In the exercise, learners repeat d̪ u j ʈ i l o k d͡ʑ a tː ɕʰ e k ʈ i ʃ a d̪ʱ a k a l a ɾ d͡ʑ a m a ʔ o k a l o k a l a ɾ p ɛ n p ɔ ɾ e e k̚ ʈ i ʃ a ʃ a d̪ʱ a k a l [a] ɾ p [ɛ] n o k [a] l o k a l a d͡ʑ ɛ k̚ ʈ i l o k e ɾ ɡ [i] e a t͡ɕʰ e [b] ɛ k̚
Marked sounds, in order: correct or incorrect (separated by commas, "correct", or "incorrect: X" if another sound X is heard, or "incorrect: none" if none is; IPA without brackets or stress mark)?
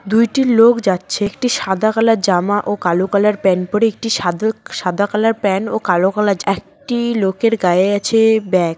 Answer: correct, correct, correct, incorrect: a, correct